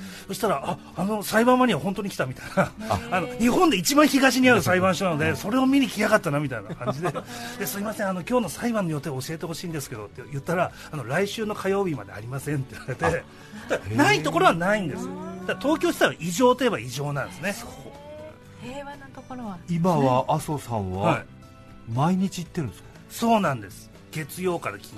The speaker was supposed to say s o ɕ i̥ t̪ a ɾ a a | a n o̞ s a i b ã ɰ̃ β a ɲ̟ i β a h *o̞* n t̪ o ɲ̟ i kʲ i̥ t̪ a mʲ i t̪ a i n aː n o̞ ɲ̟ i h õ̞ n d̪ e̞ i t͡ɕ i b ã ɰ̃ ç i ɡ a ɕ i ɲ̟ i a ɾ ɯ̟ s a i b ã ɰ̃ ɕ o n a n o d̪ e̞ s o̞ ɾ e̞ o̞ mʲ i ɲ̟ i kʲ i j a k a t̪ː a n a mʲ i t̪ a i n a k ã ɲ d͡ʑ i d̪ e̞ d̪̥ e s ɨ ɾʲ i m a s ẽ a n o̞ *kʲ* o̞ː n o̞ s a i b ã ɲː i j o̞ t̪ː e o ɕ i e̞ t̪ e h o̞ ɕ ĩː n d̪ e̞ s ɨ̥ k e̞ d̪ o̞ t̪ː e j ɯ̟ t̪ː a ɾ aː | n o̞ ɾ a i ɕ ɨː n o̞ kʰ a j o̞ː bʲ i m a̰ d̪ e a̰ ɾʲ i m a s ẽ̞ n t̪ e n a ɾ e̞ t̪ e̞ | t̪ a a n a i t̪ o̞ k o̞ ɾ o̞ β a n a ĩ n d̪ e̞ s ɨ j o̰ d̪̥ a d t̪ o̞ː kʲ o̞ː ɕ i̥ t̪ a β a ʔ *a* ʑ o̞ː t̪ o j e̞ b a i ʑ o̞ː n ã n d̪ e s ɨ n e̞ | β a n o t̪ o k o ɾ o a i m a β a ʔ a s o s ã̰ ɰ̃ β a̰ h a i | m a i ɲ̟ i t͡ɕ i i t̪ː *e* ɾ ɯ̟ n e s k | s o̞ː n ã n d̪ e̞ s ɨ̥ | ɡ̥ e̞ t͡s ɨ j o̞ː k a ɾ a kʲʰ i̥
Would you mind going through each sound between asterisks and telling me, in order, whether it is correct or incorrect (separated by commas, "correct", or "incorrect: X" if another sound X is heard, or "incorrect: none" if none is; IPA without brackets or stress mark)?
incorrect: õ̞, correct, incorrect: i, correct